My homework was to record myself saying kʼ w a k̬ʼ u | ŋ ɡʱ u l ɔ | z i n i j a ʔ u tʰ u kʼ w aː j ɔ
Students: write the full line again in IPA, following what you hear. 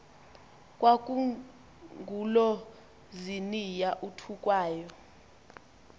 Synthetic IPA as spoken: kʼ w a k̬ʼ u | ŋ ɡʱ u l ɔ | z i n i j a ʔ u tʰ u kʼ w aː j ɔ